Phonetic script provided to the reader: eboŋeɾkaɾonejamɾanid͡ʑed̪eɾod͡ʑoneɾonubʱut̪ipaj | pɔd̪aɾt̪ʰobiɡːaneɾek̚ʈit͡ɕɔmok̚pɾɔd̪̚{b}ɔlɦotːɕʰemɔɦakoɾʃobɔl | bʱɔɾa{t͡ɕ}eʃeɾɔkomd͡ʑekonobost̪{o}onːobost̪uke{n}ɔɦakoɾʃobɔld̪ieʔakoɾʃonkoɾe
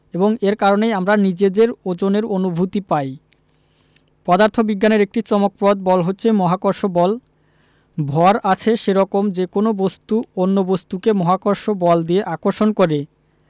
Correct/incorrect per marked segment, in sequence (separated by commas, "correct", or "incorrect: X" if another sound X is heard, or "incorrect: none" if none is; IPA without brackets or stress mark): correct, incorrect: t͡ɕʰ, incorrect: u, incorrect: m